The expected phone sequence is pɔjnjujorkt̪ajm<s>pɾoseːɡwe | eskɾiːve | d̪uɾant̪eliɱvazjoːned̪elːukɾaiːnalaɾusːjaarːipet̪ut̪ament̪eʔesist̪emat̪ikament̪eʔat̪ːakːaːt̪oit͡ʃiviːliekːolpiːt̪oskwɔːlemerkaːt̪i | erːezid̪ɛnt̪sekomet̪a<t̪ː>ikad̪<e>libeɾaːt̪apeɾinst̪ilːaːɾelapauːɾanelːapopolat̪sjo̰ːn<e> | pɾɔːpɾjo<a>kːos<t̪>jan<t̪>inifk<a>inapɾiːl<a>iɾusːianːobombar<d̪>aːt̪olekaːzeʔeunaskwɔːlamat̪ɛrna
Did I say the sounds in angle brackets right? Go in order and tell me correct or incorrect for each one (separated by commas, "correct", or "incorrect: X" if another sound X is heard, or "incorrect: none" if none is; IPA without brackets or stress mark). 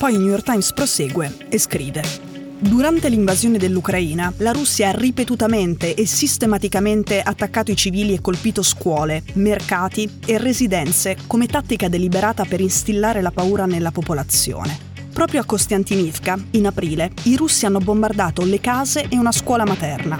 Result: correct, correct, correct, correct, correct, correct, correct, correct, incorrect: e, correct